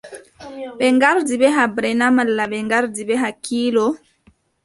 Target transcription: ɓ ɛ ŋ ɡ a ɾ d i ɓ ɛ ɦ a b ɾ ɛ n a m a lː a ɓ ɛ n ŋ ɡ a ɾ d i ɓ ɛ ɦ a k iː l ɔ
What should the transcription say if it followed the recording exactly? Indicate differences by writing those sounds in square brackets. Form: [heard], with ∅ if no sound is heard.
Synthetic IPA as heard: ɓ ɛ ŋ ɡ a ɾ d i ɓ ɛ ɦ a b ɾ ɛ n a m a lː a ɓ ɛ [∅] ŋ ɡ a ɾ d i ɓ ɛ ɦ a k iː l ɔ